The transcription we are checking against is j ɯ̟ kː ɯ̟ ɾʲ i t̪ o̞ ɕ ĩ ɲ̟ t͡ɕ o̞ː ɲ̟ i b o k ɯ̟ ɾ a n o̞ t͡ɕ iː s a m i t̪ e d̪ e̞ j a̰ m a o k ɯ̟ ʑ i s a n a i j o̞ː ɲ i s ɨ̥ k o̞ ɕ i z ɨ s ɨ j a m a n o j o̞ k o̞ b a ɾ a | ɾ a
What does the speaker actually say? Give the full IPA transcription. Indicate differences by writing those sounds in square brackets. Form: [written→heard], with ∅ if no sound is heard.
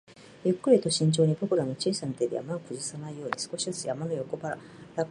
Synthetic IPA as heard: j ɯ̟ kː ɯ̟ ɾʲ i t̪ o̞ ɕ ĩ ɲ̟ t͡ɕ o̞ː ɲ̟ i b o k ɯ̟ ɾ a n o̞ t͡ɕ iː s a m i t̪ e d̪ e̞ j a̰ m a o k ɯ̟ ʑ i s a n a i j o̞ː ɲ i s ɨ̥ k o̞ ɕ i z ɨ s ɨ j a m a n o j o̞ k o̞ b a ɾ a | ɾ a